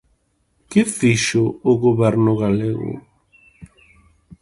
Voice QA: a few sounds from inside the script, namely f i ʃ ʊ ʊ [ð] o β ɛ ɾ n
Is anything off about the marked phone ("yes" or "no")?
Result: yes